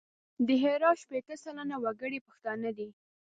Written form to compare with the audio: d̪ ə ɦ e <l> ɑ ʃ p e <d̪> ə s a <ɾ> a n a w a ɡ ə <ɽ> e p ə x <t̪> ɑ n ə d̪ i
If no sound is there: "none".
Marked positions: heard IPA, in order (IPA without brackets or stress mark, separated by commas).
ɾ, t̪, l, ɽ, t̪